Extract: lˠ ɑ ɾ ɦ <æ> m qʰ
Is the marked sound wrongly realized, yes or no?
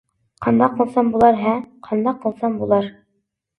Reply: no